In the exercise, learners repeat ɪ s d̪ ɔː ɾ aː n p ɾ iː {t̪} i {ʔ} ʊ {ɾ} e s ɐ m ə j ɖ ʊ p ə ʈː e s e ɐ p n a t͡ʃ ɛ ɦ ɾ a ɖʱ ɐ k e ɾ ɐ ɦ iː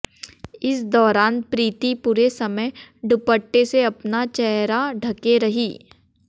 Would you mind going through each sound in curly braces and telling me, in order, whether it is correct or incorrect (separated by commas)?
correct, incorrect, correct